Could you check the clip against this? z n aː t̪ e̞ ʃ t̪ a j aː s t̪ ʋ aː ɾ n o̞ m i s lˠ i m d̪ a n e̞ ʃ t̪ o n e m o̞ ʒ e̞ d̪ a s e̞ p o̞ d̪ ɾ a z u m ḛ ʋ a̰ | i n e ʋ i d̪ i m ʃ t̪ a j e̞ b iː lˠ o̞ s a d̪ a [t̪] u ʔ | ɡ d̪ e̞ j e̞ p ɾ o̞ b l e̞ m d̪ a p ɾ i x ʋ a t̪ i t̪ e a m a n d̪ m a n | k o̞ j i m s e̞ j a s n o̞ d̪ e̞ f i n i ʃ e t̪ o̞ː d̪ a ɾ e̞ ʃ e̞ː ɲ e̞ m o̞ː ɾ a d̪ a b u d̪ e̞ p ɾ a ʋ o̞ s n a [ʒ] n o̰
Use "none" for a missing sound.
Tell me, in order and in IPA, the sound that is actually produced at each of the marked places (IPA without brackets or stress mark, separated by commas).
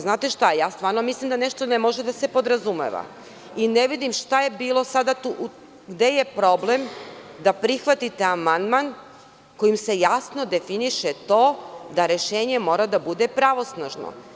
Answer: t̪, ʒ